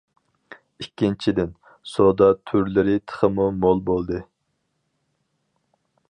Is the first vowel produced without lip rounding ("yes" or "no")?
yes